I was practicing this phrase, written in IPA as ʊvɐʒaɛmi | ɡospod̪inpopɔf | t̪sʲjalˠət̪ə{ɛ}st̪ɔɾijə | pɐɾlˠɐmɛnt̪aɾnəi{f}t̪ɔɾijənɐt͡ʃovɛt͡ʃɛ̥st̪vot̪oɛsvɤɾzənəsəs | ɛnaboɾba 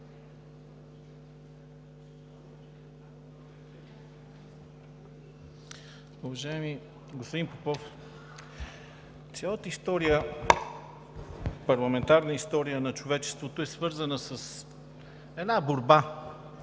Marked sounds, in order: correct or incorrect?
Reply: incorrect, incorrect

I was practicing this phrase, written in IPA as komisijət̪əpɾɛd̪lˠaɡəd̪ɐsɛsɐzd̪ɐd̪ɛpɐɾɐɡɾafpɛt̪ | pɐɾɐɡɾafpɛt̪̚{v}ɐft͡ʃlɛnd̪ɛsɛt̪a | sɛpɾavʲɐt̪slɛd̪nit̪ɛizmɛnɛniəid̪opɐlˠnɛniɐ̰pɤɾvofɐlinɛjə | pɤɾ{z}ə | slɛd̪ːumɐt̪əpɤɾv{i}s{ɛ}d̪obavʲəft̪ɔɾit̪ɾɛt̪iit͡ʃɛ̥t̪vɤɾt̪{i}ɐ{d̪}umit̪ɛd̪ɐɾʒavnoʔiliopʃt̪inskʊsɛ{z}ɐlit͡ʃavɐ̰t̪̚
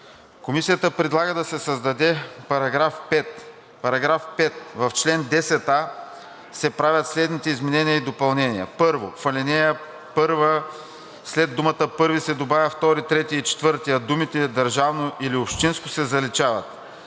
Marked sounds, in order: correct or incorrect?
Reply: correct, incorrect, correct, correct, correct, correct, correct

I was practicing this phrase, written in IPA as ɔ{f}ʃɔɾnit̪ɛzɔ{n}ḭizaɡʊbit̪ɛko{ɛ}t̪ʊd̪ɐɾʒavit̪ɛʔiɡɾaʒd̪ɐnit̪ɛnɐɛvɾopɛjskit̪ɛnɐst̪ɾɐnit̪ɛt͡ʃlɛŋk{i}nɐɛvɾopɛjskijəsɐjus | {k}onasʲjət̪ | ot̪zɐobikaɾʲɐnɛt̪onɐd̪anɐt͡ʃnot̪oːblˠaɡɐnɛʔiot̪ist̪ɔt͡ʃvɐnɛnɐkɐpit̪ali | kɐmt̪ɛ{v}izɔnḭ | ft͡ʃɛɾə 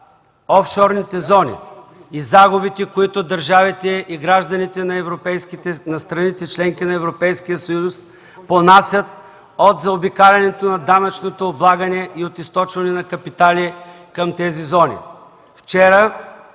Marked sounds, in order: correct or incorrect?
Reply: correct, correct, incorrect, correct, incorrect, incorrect

